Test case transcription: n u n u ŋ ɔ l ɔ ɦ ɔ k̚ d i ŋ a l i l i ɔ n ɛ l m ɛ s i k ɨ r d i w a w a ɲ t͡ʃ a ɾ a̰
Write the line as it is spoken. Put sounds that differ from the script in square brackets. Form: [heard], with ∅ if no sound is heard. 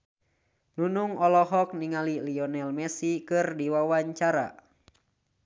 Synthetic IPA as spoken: n u n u ŋ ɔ l ɔ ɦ ɔ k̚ [n] i ŋ a l i l i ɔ n ɛ l m ɛ s i k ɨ r d i w a w a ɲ t͡ʃ a ɾ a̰